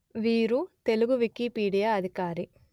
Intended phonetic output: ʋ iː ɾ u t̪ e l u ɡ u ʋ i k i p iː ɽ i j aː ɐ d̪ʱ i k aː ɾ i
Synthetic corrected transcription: ʋ iː ɾ u t̪ e l u ɡ u ʋ i k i p iː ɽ i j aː ɐ d̪ʱ i k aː ɾ i